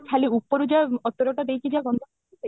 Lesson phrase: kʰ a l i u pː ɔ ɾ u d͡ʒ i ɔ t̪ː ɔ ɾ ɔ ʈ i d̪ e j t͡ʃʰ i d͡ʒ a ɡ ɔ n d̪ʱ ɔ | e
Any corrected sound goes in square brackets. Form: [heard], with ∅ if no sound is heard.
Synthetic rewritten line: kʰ a l i u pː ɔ ɾ u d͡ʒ [a] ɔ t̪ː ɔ ɾ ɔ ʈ [a] d̪ e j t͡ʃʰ i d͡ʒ a ɡ ɔ n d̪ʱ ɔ | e